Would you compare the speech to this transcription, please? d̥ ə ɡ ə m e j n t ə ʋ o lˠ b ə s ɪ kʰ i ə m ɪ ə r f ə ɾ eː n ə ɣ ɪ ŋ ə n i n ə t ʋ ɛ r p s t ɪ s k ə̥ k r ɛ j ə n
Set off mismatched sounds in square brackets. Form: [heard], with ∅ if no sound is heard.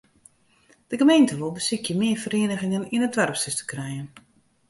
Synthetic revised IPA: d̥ ə ɡ ə m e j n t ə ʋ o lˠ b ə s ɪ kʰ [j] ə m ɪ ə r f ə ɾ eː n ə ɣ ɪ ŋ ə n i n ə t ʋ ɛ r p s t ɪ s [t] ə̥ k r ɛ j ə n